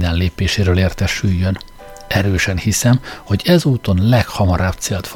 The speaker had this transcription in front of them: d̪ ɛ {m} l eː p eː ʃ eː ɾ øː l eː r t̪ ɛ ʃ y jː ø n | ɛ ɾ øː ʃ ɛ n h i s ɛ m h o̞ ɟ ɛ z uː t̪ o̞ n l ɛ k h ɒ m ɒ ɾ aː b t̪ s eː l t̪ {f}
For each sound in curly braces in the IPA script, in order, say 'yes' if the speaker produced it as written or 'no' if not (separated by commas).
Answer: no, yes